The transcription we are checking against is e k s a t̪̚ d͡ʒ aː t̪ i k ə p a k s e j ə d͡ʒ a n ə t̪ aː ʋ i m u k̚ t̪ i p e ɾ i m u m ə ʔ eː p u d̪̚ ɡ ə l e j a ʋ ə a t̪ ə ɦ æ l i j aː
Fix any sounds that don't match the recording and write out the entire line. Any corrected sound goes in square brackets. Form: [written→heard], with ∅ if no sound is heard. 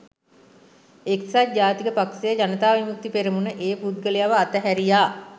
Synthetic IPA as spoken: e k s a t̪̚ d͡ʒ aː t̪ i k ə p a k s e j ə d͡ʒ a n ə t̪ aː ʋ i m u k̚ t̪ i p e ɾ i m u [m→n] ə ʔ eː p u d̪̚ ɡ ə l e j a ʋ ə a t̪ ə ɦ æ [l→ɾ] i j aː

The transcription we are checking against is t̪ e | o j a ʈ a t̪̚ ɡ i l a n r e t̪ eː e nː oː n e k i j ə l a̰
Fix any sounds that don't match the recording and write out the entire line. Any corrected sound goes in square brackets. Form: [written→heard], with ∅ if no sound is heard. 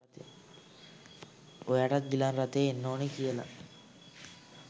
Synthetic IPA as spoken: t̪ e | o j a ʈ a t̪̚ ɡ i l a n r [e→a] t̪ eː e nː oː n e k i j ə l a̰

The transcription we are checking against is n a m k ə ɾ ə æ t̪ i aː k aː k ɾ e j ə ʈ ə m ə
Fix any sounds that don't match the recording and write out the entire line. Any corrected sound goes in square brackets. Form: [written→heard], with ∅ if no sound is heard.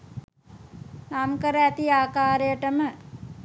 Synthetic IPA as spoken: n a m k ə ɾ ə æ t̪ i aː k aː [k→∅] ɾ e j ə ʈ ə m ə

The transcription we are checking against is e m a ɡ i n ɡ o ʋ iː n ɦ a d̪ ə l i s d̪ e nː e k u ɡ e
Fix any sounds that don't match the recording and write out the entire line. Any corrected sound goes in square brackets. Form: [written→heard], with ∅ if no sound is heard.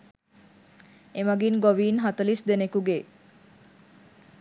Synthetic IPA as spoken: e m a ɡ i n ɡ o ʋ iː n ɦ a [d̪→t̪] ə l i s d̪ e [nː→n] e k u ɡ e

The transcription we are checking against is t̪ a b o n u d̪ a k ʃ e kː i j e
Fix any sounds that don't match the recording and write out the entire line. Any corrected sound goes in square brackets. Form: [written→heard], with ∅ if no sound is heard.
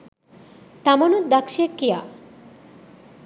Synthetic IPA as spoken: t̪ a [b→m] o n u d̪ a k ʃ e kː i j [e→a]

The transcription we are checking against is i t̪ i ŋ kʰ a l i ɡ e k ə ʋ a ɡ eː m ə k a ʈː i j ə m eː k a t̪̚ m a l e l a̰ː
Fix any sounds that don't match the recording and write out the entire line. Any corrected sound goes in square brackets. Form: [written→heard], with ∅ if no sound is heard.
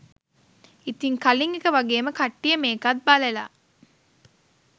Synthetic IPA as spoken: i t̪ i ŋ [kʰ→k] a l i [ɡ→ŋ] e k ə ʋ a ɡ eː m ə k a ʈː i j ə m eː k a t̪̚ [m→b] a l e l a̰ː

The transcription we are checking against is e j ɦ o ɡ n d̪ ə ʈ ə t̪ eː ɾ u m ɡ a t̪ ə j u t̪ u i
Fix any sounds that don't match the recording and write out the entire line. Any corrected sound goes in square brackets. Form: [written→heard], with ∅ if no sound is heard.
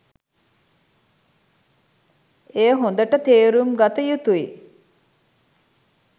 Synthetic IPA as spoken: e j ɦ o [ɡ→∅] n d̪ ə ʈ ə t̪ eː ɾ u m ɡ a t̪ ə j u t̪ u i

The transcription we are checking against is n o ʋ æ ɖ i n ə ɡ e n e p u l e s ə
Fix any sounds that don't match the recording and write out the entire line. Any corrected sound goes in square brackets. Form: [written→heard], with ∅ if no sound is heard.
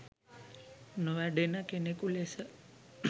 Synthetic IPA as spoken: n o ʋ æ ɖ [i→e] n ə [ɡ→k] e n e [p→k] u l e s ə

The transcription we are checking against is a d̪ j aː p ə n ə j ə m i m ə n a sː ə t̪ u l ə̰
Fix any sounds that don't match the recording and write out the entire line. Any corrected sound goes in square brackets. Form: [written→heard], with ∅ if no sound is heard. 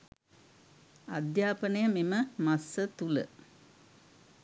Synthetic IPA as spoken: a d̪ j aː p ə n ə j ə m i m ə [n→m] a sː ə t̪ u l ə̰

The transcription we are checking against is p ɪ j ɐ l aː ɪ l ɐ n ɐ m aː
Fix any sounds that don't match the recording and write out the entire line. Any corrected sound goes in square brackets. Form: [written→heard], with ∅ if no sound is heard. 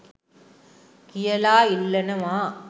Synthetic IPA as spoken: [p→k] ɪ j ɐ l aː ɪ [l→lː] ɐ n ɐ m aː

